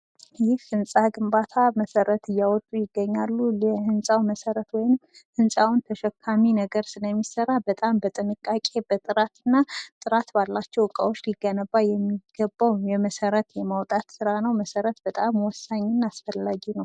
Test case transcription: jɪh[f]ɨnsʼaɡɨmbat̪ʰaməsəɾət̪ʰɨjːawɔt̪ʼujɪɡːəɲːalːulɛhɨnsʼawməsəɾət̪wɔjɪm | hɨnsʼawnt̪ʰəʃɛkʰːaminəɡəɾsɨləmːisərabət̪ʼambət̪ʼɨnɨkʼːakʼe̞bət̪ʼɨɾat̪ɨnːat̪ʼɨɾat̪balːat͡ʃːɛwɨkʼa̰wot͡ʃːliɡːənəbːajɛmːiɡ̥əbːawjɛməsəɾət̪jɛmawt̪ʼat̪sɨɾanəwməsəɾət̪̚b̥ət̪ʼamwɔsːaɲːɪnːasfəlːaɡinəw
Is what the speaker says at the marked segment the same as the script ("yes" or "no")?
yes